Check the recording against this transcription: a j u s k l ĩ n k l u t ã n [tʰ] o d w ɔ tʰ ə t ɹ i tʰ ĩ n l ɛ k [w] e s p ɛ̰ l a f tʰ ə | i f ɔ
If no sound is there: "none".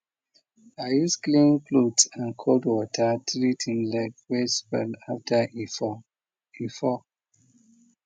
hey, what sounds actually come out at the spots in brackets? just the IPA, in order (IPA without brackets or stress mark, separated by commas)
kʰ, w